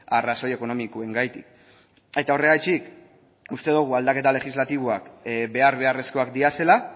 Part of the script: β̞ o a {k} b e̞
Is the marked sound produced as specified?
yes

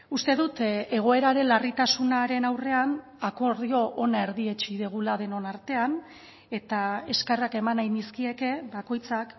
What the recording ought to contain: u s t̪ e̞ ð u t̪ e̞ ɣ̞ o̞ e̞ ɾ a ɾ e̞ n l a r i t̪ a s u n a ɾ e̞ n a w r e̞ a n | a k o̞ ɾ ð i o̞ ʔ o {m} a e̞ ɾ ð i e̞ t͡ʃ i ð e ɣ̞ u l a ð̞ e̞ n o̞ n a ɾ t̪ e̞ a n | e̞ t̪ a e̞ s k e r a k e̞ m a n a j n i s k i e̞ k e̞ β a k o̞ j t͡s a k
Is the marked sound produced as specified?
no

